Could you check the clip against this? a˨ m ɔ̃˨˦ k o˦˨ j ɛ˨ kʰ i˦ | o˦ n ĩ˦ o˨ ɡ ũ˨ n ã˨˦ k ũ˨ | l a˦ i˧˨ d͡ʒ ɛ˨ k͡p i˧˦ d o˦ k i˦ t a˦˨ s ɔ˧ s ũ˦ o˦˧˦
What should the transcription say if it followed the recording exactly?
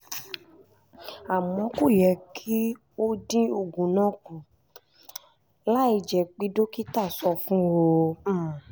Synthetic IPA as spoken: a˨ m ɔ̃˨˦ k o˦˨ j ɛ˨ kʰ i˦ | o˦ d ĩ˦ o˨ ɡ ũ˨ n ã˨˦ k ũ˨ | l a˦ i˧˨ d͡ʒ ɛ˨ k͡p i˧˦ d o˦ k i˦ t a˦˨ s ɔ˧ f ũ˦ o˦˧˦